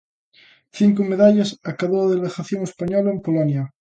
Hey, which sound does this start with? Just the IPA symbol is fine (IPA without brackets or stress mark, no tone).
θ